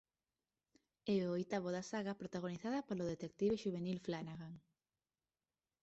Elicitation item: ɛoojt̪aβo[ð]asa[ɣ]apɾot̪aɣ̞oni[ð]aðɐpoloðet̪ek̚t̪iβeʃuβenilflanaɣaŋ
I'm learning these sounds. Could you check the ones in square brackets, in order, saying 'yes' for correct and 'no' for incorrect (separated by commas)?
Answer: yes, yes, no